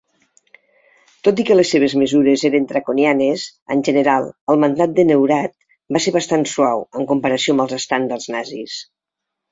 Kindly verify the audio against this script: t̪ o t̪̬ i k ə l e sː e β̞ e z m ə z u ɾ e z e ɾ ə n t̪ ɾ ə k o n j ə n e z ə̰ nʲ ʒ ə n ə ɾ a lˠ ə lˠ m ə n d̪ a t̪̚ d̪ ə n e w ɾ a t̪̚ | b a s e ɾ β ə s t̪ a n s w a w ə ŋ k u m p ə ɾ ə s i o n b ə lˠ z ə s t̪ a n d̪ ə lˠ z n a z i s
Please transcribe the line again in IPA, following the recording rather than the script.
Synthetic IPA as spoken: t̪ o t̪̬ i k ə l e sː e β̞ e z m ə z u ɾ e z e ɾ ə n t̪ ɾ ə k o n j a n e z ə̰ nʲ ʒ ə n ə ɾ a lˠ ə lˠ m ə n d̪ a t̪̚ d̪ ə n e w ɾ a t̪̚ | b a s e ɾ β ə s t̪ a n s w a w ə ŋ k u m p ə ɾ ə s i o m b ə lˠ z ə s t̪ a n d̪ ə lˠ z n a z i s